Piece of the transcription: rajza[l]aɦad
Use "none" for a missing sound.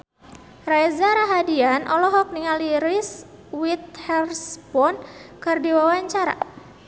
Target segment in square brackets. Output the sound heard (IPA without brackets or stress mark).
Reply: ɾ